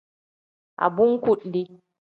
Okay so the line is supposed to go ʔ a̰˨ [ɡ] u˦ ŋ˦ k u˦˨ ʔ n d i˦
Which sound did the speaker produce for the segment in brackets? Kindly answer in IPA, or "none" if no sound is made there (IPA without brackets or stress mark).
b